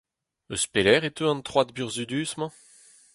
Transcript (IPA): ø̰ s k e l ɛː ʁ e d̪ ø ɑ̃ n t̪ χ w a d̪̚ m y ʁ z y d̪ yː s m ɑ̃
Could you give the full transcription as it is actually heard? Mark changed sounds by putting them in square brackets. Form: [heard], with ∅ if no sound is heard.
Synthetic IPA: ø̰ s [p] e l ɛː ʁ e [t̪] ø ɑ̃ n t̪ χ w a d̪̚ [b] y ʁ z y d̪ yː s m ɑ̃